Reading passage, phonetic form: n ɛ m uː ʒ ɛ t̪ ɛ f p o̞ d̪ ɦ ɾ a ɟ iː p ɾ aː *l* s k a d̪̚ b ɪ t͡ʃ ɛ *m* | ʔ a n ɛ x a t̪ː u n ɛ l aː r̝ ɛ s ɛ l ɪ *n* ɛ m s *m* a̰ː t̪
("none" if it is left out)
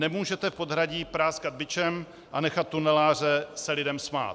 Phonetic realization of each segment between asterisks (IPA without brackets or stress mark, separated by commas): none, m, d, m